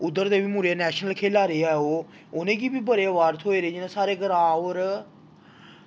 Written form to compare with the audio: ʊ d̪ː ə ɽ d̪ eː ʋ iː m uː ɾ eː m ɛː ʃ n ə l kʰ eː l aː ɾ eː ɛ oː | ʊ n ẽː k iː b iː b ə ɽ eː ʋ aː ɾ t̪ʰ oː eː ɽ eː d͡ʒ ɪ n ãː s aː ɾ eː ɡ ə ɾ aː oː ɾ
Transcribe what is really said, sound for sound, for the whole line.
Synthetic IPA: ʊ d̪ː ə ɾ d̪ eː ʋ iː m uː ɾ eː n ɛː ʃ n ə l kʰ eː l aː ɾ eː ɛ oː | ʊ n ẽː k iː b iː b ə ɾ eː ʋ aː ɾ t̪ʰ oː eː ɾ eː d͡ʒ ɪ n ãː s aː ɾ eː ɡ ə ɾ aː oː ɾ

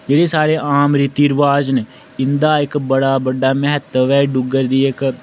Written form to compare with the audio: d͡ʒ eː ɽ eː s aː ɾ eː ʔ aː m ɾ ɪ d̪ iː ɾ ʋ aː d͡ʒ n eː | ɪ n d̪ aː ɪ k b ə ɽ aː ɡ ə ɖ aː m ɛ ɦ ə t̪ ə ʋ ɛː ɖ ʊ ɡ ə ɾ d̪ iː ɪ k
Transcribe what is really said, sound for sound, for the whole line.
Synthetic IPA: d͡ʒ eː ɽ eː s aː ɾ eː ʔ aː m ɾ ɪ t̪ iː ɾ ʋ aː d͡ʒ n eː | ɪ n d̪ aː ɪ k b ə ɽ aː b ə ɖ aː m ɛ ɦ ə t̪ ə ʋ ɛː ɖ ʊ ɡ ə ɾ d̪ iː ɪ k

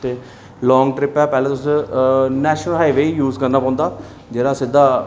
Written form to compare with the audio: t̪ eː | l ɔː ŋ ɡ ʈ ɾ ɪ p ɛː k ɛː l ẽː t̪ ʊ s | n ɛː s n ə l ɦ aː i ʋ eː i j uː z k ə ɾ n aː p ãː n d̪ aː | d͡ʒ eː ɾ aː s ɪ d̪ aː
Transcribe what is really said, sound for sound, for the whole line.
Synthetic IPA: t̪ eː | l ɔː ŋ ɡ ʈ ɾ ɪ p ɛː p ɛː l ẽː t̪ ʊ s | n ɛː ʃ n ə l ɦ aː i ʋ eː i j uː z k ə ɾ n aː p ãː n d̪ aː | d͡ʒ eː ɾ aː s ɪ d̪ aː

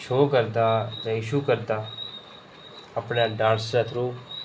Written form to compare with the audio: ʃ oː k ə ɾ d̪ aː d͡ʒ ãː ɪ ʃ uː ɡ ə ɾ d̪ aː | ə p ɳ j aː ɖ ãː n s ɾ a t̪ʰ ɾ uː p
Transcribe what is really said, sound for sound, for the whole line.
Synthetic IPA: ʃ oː k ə ɾ d̪ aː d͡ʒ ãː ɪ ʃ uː k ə ɾ d̪ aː | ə p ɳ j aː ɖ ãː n s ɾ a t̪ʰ ɾ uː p

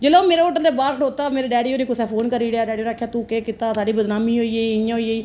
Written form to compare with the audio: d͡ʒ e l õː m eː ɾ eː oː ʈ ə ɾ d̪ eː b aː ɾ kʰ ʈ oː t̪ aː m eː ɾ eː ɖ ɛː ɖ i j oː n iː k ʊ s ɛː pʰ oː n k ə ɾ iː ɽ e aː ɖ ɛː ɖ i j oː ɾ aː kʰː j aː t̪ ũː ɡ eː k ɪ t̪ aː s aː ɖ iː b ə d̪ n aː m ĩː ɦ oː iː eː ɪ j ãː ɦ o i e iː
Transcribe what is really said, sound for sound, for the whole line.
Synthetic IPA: d͡ʒ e l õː m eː ɾ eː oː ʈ ə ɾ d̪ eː b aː ɾ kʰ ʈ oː t̪ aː m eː ɾ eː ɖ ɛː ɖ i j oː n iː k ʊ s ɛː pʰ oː n k ə ɾ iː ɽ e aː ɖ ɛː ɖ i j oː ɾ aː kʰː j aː t̪ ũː k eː k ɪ t̪ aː s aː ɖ iː b ə d̪ n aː m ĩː ɦ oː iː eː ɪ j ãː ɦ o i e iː

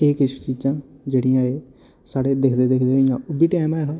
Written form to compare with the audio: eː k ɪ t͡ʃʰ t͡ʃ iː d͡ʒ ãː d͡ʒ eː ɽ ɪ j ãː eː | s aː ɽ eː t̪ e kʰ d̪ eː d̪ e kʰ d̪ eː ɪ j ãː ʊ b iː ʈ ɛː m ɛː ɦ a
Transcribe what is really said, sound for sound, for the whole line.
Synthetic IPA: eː k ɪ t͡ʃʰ t͡ʃ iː d͡ʒ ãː d͡ʒ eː ɽ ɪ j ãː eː | s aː ɽ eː d̪ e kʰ d̪ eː d̪ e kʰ d̪ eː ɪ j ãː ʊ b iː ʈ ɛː m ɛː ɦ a

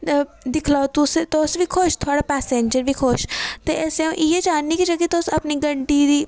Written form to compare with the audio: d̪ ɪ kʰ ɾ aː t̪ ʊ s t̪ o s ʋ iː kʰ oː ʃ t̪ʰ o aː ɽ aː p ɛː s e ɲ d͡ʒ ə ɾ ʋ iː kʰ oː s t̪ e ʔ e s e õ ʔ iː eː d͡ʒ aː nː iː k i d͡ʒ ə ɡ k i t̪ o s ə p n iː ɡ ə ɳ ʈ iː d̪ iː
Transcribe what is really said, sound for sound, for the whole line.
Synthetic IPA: d̪ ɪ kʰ l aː t̪ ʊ s t̪ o s ʋ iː kʰ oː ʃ t̪ʰ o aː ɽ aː p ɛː s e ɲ d͡ʒ ə ɾ ʋ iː kʰ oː ʃ t̪ e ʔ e s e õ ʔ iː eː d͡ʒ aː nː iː k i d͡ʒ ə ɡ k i t̪ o s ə p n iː ɡ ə ɳ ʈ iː d̪ iː

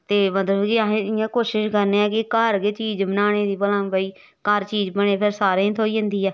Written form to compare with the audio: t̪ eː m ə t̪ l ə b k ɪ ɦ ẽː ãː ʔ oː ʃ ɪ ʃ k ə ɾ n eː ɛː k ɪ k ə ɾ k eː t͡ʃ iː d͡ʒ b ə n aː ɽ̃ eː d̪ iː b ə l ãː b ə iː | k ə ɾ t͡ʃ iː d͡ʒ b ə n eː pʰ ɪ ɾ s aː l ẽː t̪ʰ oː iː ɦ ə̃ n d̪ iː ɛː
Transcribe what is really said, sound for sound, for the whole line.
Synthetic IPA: t̪ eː m ə t̪ l ə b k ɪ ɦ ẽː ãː k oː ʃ ɪ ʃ k ə ɾ n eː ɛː k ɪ k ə ɾ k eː t͡ʃ iː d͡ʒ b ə n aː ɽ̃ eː d̪ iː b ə l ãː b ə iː | k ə ɾ t͡ʃ iː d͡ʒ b ə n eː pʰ ɪ ɾ s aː ɾ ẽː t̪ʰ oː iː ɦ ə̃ n d̪ iː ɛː

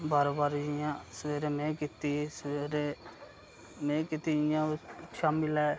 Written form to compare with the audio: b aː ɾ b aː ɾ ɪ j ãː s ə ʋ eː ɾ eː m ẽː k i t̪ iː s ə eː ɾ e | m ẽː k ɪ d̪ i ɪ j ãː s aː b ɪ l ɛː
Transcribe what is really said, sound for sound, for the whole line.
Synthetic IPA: b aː ɾ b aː ɾ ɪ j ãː s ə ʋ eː ɾ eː m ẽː k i t̪ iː s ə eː ɾ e | m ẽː k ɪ t̪ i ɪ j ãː ʃ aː m ɪ l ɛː

